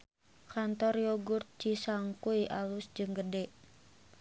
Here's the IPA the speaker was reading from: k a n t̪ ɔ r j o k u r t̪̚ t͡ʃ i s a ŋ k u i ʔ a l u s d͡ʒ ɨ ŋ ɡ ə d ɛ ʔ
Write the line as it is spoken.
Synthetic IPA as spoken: k a n t̪ ɔ r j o ɡ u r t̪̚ t͡ʃ i s a ŋ k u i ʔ a l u s d͡ʒ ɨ ŋ ɡ ə d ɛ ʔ